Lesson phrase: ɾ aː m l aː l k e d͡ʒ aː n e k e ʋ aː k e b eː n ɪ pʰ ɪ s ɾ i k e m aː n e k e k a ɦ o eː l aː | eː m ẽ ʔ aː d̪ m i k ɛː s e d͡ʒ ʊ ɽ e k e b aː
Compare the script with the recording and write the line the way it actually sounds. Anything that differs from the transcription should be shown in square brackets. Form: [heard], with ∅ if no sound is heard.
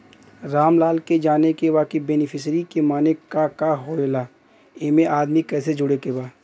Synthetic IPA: ɾ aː m l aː l k e d͡ʒ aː n e k e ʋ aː k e b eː n ɪ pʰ ɪ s ɾ i k e m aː n e k [a] k a ɦ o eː l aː | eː m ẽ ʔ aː d̪ m i k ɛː s e d͡ʒ ʊ ɽ e k e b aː